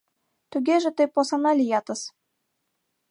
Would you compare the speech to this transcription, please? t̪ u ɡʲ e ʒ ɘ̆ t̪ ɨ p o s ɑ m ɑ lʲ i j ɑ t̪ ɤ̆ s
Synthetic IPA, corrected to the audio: t̪ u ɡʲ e ʒ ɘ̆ t̪ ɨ p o s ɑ n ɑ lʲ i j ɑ t̪ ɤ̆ s